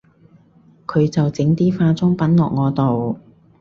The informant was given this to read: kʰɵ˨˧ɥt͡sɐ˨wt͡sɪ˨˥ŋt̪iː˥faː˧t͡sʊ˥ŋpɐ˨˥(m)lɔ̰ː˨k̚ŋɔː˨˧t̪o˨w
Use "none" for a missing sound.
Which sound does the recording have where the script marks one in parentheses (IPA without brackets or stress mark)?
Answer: n